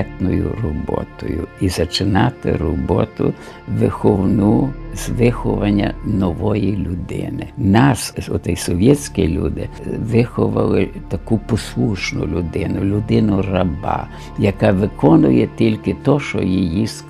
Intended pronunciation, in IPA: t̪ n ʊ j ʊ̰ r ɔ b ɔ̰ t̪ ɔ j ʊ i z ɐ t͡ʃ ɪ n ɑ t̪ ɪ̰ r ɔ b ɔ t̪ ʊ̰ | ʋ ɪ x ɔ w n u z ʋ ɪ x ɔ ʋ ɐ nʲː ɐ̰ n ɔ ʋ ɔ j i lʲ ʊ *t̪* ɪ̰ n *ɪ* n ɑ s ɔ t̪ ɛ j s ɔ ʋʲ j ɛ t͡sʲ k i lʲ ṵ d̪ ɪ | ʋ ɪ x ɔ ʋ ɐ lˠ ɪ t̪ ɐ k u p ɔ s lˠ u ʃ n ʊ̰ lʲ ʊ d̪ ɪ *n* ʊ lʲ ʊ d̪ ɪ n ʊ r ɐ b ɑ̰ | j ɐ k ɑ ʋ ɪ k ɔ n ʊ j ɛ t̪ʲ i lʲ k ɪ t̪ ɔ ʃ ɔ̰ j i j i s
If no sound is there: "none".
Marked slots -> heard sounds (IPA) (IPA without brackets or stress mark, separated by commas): d̪, ɪ, n